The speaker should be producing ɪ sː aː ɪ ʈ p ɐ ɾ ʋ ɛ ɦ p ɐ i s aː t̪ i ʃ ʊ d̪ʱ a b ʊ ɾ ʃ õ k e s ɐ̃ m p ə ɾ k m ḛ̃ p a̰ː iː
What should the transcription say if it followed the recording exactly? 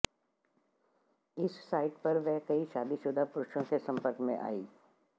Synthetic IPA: ɪ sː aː ɪ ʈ p ɐ ɾ ʋ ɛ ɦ k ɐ i ʃ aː d̪ i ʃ ʊ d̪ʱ a p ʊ ɾ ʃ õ k e s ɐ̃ m p ə ɾ k m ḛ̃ ʔ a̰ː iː